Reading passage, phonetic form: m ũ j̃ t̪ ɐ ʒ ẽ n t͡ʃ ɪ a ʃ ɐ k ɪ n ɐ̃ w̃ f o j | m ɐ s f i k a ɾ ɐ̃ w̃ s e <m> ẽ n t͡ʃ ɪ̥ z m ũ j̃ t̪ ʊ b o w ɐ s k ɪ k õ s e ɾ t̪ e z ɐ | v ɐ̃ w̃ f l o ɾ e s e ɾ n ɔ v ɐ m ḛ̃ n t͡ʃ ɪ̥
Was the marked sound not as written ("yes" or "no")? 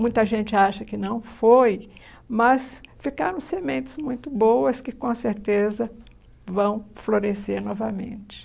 no